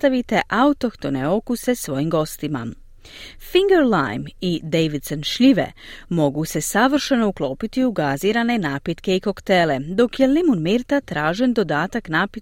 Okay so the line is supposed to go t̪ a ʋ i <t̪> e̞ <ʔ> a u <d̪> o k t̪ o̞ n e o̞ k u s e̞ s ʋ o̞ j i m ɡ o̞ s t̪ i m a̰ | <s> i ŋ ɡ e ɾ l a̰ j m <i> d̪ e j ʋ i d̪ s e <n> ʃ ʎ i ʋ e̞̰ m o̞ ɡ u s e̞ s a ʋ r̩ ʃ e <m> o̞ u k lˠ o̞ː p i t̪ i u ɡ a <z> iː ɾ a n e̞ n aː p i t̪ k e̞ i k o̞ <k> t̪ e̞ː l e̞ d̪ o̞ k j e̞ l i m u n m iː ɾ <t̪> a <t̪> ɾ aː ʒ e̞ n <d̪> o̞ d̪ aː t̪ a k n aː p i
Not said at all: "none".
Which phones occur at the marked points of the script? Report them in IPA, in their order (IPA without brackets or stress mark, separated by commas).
t̪, ʔ, t̪, f, i, n, n, z, k, t̪, t̪, d̪